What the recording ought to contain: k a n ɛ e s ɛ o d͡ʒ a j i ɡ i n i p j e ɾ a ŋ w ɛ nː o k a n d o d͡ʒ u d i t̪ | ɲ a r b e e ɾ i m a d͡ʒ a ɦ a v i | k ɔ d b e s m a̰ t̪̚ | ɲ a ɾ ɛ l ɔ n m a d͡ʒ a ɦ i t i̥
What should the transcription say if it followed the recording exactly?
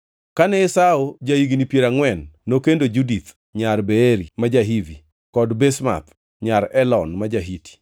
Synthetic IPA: k a n ɛ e s a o d͡ʒ a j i ɡ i n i p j e ɾ a ŋ w ɛ nː o k e n d o d͡ʒ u d i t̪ | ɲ a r b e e ɾ i m a d͡ʒ a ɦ i v i | k ɔ d b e s m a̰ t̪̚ | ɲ a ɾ ɛ l ɔ n m a d͡ʒ a ɦ i t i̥